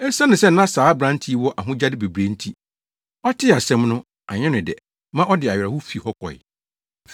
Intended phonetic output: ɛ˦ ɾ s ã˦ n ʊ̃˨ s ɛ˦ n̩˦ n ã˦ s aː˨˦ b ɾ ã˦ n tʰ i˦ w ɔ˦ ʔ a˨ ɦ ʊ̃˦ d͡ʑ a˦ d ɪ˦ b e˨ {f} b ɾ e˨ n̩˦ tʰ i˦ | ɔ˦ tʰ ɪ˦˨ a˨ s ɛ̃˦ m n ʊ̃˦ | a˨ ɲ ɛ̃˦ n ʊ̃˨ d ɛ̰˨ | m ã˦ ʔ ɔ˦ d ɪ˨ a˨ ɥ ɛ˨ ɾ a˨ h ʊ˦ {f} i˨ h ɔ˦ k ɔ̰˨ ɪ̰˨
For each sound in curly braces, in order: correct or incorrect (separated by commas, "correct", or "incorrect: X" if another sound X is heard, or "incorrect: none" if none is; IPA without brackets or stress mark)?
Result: incorrect: none, correct